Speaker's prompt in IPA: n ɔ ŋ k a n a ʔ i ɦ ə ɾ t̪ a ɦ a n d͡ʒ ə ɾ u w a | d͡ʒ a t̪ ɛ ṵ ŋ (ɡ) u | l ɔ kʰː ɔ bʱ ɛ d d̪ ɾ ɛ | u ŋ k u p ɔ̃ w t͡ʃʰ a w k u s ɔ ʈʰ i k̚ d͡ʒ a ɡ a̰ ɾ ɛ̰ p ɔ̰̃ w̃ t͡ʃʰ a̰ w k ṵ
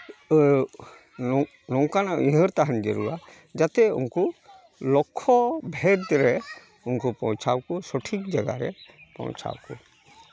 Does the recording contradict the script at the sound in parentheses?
yes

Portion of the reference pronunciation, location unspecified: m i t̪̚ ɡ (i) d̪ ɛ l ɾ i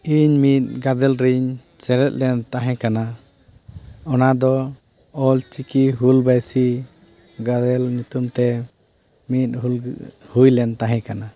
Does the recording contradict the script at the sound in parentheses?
yes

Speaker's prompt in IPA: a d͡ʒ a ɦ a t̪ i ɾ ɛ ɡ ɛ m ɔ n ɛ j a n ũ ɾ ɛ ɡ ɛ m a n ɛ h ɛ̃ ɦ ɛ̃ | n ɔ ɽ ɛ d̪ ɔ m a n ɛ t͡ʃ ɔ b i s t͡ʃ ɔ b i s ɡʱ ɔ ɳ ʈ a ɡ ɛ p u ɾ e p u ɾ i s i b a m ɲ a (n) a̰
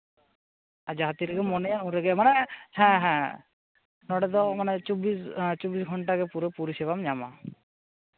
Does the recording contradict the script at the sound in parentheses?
yes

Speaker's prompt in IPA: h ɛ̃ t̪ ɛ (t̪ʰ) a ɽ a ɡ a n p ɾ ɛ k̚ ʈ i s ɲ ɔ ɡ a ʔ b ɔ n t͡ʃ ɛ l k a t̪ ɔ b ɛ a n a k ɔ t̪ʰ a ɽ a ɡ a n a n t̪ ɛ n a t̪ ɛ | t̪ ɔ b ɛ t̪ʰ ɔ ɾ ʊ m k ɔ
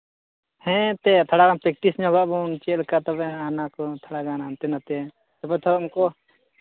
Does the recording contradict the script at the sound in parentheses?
no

